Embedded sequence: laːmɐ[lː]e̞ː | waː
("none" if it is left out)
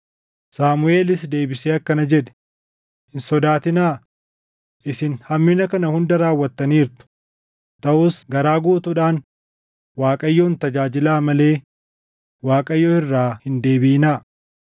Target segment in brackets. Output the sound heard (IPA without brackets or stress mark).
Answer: l